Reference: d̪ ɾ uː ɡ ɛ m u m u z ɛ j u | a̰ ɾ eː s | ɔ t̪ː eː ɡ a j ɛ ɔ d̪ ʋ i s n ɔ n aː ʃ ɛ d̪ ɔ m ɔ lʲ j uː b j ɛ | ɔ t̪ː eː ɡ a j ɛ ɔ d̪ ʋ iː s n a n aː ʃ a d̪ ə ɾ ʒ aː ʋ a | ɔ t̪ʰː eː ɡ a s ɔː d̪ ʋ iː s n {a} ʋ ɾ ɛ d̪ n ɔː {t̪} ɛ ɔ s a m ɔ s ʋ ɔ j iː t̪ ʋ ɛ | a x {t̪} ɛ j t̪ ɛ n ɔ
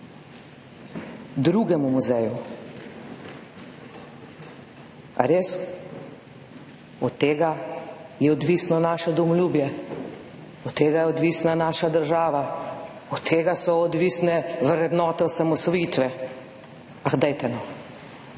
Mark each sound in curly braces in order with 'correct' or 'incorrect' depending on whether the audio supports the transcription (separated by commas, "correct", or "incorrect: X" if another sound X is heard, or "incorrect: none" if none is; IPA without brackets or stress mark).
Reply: incorrect: ɛ, correct, incorrect: d̪